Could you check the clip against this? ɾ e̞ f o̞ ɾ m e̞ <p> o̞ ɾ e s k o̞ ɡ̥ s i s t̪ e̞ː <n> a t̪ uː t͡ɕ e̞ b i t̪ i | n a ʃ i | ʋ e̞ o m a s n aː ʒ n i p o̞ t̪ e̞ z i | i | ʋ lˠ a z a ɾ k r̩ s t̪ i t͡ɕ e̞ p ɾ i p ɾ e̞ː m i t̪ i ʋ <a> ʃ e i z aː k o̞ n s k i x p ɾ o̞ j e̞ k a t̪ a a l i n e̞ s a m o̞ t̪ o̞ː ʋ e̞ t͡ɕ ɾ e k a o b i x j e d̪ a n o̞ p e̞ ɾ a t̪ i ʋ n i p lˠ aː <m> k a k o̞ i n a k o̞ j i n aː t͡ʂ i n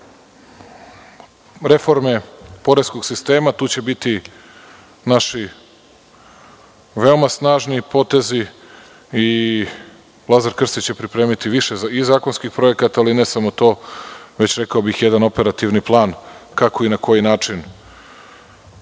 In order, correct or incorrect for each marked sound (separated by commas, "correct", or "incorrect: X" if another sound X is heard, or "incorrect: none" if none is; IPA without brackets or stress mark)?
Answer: correct, incorrect: m, incorrect: i, incorrect: n